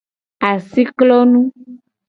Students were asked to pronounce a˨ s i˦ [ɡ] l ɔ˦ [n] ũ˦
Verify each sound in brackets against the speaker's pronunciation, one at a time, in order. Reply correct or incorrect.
incorrect: k, correct

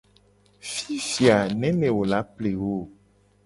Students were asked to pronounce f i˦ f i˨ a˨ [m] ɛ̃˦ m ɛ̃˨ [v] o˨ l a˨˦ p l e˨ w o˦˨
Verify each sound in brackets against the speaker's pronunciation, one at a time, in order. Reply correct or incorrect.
incorrect: n, incorrect: w

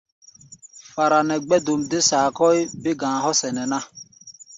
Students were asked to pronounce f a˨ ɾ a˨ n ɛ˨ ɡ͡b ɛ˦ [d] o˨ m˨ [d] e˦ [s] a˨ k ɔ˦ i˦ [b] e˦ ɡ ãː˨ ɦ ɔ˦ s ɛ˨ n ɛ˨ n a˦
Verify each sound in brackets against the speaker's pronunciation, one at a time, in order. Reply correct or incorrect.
correct, correct, correct, correct

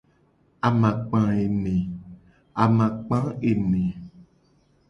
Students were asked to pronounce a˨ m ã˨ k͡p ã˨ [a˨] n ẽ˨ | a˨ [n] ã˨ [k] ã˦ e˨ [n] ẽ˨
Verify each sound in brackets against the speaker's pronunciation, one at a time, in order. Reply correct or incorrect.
incorrect: e˨, incorrect: m, incorrect: k͡p, correct

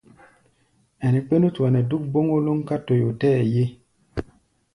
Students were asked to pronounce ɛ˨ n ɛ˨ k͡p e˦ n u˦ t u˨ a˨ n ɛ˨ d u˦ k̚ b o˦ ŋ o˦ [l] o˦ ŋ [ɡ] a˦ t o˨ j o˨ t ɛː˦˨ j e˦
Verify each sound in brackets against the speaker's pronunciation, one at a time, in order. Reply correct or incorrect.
correct, incorrect: k

